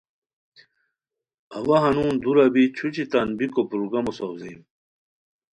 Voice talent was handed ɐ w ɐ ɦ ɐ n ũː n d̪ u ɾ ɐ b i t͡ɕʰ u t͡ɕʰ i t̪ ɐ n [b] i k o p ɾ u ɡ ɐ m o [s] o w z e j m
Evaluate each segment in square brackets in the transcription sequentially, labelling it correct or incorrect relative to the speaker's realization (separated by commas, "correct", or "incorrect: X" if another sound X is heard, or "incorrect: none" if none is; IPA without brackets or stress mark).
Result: correct, correct